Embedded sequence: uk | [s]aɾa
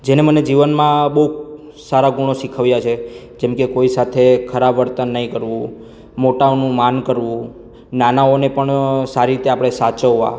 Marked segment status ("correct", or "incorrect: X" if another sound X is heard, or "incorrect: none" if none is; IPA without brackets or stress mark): correct